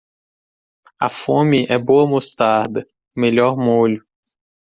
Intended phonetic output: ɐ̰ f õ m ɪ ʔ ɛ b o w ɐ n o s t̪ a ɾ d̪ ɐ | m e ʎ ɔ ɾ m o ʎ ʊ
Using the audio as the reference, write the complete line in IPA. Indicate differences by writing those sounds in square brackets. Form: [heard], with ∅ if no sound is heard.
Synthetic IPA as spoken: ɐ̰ f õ m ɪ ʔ ɛ b o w ɐ [m] o s t̪ a ɾ d̪ ɐ | m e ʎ ɔ ɾ m o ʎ ʊ

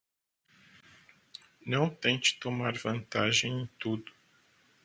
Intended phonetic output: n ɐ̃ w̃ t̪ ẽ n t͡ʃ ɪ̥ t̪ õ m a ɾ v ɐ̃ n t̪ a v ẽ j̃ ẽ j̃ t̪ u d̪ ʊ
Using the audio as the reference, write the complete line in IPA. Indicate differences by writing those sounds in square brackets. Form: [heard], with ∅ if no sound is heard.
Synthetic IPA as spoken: n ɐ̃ w̃ t̪ ẽ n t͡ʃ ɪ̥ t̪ [o] m a ɾ v ɐ̃ n t̪ a [ʒ] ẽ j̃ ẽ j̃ t̪ u d̪ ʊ

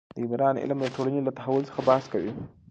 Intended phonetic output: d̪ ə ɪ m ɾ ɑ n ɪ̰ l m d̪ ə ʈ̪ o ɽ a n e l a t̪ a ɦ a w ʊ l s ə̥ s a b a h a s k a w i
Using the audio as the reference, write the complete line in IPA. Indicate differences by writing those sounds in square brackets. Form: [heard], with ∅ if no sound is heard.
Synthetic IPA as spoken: d̪ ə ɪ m ɾ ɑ n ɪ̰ l m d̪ ə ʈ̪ o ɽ a n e l a t̪ a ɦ a w ʊ l s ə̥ [x] a b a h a s k a w i

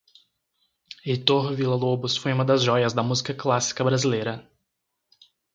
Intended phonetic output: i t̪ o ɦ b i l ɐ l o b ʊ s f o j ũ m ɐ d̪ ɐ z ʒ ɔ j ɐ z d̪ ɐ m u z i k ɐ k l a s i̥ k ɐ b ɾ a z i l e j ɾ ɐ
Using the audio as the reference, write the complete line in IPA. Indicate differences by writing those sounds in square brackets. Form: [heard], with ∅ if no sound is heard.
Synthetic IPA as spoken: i t̪ o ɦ [v] i l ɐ l o b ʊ s f o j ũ m ɐ d̪ ɐ z ʒ ɔ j ɐ z d̪ ɐ m u z i k ɐ k l a s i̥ k ɐ b ɾ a z i l e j ɾ ɐ

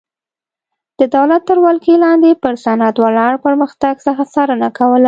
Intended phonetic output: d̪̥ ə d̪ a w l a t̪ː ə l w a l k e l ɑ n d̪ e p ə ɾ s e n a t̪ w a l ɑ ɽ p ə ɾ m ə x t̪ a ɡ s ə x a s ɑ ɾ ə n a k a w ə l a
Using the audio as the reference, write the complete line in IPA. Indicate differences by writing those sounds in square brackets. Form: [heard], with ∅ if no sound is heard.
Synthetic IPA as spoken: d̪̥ ə d̪ a w l a t̪ː ə [ɾ] w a l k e l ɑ n d̪ e p ə ɾ s [a] n a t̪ w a l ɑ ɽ p ə ɾ m ə x t̪ a ɡ s ə x a s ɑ ɾ ə n a k a w ə l a

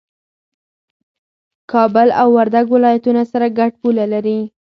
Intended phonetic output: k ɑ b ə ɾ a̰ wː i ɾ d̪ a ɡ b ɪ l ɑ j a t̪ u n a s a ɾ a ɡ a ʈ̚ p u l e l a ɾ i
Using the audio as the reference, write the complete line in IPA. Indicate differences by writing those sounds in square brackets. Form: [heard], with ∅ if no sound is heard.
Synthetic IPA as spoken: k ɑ b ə [l] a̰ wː [a] ɾ d̪ a ɡ [w] ɪ l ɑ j a t̪ u n a s a ɾ a ɡ a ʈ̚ p u l [a] l a ɾ i

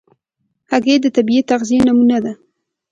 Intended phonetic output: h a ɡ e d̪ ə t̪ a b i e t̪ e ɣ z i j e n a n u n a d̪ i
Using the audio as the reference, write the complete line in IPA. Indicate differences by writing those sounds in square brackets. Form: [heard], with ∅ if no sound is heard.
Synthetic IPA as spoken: h a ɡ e d̪ ə t̪ a b i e t̪ [a] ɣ z i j e n a [m] u n a d̪ [a]

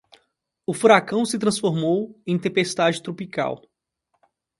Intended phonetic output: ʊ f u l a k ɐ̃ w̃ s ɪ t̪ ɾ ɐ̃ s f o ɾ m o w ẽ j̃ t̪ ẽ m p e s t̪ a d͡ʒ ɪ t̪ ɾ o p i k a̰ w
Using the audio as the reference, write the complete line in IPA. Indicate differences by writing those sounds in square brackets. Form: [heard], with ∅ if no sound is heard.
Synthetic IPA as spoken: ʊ f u [ɾ] a k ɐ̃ w̃ s ɪ t̪ ɾ ɐ̃ s f o ɾ m o w ẽ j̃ t̪ ẽ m p e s t̪ a d͡ʒ ɪ t̪ ɾ o p i k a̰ w

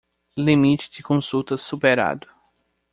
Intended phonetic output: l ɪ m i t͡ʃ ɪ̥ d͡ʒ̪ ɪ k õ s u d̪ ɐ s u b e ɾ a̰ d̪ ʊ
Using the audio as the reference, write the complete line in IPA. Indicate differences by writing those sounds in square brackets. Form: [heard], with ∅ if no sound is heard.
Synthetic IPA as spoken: l [i] m i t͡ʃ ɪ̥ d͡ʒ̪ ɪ k õ s u [t̪] ɐ s u [p] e ɾ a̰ d̪ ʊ

